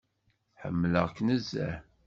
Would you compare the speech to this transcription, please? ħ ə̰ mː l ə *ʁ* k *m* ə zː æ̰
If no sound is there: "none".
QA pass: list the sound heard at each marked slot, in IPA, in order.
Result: ʁ, n

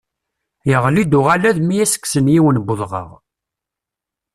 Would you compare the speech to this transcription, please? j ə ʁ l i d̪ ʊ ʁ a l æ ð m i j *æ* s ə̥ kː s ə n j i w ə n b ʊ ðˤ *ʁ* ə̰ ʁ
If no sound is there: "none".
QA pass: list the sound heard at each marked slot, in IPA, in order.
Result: æ, ʁ

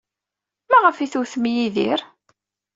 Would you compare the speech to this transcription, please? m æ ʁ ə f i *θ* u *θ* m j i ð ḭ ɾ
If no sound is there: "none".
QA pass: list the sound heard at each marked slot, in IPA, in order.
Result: θ, θ

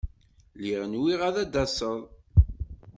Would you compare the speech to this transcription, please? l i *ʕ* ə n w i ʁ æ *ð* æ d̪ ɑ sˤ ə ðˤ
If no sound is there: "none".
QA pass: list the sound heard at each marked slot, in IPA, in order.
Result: ʁ, ð

